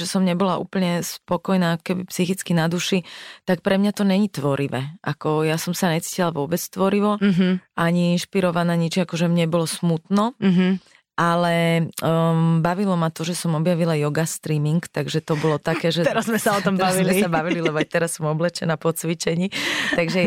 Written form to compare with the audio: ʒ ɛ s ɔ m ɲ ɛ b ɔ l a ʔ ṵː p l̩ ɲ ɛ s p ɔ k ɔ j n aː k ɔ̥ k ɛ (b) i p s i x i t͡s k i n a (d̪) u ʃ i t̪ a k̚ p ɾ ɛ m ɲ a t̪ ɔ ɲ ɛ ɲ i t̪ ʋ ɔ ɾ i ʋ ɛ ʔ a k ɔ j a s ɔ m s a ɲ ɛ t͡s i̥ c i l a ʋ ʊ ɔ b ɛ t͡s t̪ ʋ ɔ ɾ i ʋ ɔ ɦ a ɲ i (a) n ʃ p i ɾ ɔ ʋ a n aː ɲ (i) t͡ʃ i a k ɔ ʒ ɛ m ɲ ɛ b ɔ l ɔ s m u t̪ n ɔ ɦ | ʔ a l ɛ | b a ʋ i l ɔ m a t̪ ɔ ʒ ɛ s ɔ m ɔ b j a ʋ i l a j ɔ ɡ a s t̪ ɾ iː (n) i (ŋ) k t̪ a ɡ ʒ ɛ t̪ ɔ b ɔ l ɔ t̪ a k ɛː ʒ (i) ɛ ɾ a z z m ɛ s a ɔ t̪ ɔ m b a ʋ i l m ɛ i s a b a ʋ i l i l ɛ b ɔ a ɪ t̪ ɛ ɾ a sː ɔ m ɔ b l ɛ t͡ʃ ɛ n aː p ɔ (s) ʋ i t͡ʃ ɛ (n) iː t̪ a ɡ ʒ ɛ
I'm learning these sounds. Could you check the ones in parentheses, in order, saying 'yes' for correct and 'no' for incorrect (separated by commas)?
yes, yes, no, yes, no, yes, no, no, no